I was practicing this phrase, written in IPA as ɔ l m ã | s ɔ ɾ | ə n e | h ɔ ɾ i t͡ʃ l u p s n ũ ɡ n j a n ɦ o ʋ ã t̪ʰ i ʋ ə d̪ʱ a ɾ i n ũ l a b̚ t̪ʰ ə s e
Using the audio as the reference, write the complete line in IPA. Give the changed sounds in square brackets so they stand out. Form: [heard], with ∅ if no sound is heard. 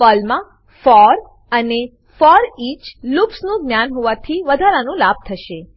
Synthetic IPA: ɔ l m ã | [f] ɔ ɾ | ə n e | [f] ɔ ɾ i t͡ʃ l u p s n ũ ɡ n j a n ɦ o ʋ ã t̪ʰ i ʋ ə d̪ʱ a ɾ [a] n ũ l a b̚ t̪ʰ ə [ʃ] e